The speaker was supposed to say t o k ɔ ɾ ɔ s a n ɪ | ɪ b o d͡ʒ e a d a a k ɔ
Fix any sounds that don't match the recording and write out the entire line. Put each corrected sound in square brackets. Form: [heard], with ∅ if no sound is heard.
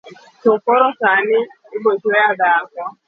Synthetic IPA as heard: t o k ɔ ɾ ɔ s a n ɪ | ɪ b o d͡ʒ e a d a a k ɔ

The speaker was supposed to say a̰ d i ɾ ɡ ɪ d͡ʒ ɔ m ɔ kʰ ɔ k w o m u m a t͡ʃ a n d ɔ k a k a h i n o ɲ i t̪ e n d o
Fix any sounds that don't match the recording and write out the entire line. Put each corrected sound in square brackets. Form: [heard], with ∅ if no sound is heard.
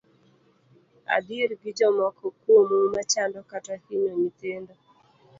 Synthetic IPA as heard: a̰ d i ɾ ɡ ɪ d͡ʒ ɔ m ɔ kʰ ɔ k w o m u m a t͡ʃ a n d ɔ k a [t] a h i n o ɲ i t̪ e n d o

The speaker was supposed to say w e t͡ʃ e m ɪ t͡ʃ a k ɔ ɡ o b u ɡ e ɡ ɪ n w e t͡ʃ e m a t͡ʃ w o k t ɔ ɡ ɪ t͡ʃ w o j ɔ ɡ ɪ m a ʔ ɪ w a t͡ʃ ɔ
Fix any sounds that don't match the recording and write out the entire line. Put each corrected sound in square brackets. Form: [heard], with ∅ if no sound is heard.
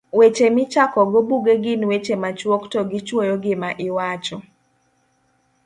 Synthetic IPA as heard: w e t͡ʃ e m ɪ t͡ʃ a k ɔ ɡ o b u ɡ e ɡ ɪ n w e t͡ʃ e m a t͡ʃ w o k t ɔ ɡ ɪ t͡ʃ w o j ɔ ɡ ɪ m a ʔ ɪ w a t͡ʃ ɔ

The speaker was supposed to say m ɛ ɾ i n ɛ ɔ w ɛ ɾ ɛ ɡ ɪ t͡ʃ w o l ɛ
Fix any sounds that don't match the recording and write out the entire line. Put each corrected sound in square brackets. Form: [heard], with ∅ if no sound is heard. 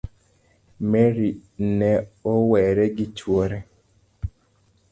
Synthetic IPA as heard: m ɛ ɾ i n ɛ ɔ w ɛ ɾ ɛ ɡ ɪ t͡ʃ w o [ɾ] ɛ

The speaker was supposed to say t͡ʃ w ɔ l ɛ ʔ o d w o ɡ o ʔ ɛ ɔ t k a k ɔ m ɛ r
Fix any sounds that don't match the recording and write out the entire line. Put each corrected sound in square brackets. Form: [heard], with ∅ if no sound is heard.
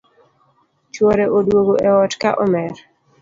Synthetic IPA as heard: t͡ʃ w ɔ [ɾ] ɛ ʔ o d w o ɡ o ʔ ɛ ɔ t k a [ʔ] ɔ m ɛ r

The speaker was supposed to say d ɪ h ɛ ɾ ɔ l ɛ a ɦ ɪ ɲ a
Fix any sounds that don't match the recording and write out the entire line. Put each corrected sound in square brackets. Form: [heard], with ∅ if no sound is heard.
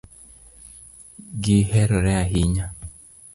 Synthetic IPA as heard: [ɡ] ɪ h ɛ ɾ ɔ [ɾ] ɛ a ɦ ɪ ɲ a

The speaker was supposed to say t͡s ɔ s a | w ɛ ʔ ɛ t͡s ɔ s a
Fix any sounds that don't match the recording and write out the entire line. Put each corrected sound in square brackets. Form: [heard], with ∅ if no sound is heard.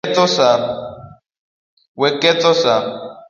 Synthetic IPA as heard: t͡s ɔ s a | w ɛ [k] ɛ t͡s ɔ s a

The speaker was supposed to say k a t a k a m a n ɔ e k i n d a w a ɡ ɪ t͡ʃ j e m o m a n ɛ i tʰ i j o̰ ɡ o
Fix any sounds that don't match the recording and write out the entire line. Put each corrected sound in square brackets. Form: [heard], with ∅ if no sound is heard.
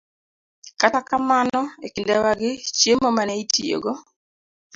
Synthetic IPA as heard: k a t a k a m a n ɔ e k i n d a w a ɡ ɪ t͡ʃ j e m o m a n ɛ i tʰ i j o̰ ɡ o

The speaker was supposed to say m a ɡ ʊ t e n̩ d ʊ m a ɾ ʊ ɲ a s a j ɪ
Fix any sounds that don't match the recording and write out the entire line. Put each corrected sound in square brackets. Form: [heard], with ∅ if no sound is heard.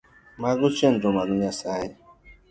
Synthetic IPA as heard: m a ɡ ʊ [t͡ʃ] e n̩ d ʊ m a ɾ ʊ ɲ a s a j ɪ

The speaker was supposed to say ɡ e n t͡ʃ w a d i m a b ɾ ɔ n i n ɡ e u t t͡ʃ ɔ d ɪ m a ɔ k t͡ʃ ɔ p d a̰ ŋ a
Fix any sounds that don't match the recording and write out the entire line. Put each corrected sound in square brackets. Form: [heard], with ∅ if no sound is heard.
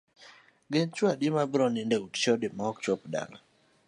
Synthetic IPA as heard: ɡ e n t͡ʃ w a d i m a b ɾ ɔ n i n [d] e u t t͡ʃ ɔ d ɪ m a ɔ k t͡ʃ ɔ p d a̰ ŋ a

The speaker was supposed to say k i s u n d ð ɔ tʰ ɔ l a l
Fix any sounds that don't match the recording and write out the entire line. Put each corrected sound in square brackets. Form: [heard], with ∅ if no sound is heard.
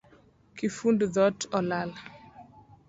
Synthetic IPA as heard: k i [f] u n d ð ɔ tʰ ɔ l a l

